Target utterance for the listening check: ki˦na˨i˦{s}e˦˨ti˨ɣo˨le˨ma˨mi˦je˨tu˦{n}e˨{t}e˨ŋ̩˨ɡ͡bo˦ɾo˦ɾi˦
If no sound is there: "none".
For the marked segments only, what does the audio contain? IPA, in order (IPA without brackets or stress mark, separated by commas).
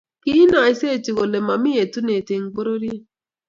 s, n, t